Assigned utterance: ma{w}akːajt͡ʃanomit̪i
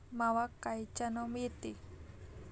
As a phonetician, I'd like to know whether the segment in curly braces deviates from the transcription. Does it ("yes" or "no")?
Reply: no